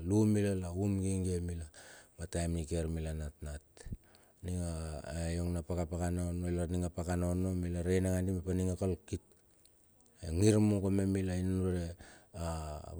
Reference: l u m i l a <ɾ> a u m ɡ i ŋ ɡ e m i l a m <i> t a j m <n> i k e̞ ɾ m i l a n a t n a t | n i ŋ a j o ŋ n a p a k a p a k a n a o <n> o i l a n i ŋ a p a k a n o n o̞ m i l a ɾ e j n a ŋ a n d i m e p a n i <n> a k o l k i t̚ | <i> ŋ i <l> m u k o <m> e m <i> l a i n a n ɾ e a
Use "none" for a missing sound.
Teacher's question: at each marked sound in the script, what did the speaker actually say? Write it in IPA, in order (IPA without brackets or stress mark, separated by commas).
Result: l, a, n, n, ŋ, e, ɾ, m, i